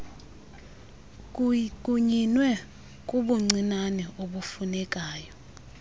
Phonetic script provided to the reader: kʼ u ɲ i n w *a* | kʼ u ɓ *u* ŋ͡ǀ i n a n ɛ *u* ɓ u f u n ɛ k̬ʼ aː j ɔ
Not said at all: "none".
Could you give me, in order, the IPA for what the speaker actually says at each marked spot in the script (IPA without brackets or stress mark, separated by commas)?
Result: ɛ, u, o